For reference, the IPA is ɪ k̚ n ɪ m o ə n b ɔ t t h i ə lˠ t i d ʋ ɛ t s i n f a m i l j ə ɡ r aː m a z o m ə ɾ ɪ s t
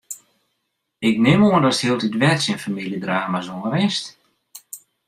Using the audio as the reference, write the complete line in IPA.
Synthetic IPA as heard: ɪ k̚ n ɪ m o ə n d ɔ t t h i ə lˠ t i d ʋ ɛ t s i n f a m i l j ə d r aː m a z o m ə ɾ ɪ s t